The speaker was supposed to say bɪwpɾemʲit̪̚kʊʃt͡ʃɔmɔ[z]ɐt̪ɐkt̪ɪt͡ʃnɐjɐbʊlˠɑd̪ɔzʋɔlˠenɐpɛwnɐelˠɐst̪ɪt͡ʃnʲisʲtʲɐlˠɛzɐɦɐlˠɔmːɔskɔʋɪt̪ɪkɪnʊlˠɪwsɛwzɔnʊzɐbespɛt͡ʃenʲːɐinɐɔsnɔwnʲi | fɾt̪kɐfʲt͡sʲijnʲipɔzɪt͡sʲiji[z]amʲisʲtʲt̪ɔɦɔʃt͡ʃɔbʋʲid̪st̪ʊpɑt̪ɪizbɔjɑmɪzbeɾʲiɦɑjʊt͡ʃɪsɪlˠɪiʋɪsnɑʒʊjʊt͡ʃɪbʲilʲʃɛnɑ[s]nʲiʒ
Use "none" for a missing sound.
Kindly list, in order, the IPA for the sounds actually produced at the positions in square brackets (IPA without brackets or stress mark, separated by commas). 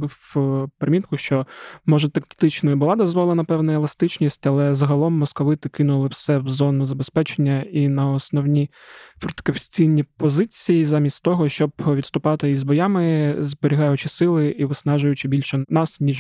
ʒ, z, s